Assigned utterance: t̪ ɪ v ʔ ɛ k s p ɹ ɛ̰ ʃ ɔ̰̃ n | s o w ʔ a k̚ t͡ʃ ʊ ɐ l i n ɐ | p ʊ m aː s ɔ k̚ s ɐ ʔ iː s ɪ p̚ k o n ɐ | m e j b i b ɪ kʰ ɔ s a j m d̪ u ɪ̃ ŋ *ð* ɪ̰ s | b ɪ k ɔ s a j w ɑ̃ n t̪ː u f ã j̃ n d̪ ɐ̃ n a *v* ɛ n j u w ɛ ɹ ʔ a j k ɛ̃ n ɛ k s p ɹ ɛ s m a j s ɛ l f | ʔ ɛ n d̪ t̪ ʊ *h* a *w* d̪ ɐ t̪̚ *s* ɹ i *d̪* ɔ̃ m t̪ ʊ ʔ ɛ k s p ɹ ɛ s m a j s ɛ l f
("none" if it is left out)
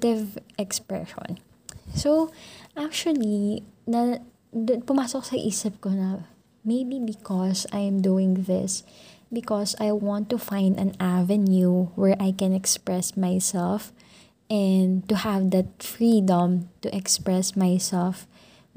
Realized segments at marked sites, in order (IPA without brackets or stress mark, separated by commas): ð, v, h, v, f, d̪